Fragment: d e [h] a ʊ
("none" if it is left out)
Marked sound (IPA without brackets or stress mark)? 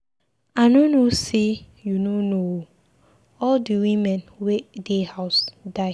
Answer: h